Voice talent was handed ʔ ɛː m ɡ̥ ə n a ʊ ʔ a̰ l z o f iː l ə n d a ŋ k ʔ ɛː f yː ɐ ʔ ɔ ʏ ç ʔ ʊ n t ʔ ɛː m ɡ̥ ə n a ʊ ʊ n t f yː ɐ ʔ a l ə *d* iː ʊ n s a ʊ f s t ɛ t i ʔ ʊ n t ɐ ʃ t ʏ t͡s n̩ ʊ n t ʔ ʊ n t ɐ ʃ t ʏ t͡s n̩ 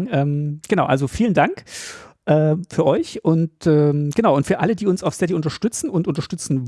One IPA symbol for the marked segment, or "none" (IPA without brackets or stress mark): d